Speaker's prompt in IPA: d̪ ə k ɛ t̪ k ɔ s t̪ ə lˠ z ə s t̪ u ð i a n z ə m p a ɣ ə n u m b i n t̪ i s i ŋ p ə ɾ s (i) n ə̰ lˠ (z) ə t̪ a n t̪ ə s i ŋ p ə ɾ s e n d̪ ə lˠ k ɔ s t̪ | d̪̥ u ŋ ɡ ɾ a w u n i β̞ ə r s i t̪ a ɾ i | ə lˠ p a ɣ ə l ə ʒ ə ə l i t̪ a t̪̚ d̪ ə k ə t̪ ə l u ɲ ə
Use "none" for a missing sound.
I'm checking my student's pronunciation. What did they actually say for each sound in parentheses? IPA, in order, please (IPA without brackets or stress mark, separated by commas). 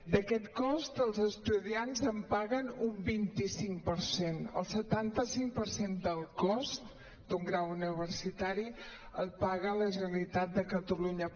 e, s